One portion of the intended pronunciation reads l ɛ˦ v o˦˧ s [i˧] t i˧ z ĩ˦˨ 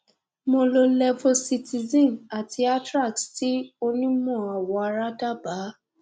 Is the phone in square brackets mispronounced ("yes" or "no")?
no